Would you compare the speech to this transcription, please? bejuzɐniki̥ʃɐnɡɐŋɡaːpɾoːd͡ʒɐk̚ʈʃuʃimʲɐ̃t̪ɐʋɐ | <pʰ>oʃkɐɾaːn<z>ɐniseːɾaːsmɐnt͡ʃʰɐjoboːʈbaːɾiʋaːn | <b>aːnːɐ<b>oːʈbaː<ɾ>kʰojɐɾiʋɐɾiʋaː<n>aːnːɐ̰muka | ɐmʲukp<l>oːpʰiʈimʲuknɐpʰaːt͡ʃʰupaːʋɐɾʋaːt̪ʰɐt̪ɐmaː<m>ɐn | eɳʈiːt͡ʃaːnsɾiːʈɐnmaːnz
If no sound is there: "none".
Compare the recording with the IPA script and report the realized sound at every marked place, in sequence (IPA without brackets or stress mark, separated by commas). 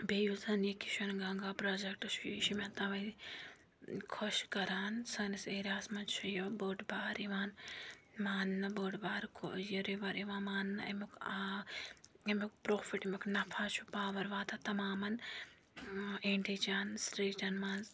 kʰ, s, m, b, ɾ, m, ɾ, m